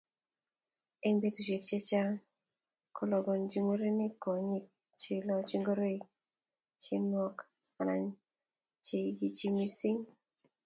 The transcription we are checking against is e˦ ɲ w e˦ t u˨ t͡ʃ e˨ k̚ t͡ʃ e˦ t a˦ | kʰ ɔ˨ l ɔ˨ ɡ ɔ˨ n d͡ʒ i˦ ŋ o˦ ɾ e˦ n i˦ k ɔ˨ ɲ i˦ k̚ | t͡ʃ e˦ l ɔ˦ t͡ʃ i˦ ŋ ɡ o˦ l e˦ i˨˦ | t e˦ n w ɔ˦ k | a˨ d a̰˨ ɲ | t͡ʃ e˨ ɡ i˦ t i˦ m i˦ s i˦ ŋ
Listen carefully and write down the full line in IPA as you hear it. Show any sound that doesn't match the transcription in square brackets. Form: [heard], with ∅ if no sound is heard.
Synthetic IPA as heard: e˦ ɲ [b] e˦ t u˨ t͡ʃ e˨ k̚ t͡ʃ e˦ [t͡ʃ] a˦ | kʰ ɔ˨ l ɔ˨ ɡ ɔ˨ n d͡ʒ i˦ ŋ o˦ ɾ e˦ n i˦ k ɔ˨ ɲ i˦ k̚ | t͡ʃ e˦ l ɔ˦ t͡ʃ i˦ ŋ ɡ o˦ [ɾ] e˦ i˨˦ | [t͡ʃ] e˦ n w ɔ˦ k | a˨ [n] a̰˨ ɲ | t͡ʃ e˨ ɡ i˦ [t͡ʃ] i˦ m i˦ s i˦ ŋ